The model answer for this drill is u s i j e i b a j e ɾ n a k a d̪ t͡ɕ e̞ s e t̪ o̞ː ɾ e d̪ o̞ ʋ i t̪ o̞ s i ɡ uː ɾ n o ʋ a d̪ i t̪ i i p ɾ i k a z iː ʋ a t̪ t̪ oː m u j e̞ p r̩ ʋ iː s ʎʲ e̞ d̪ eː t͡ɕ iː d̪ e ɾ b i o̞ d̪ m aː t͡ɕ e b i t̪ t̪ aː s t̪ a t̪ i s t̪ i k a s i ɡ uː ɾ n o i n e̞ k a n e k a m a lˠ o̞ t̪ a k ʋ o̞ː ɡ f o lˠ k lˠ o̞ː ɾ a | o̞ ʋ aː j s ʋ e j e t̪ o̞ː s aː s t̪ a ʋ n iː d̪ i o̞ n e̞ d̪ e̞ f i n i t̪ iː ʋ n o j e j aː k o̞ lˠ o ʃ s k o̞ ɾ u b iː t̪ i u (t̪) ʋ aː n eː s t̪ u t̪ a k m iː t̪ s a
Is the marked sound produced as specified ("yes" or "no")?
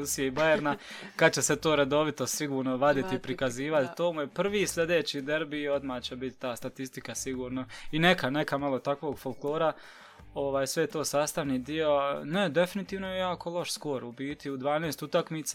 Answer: no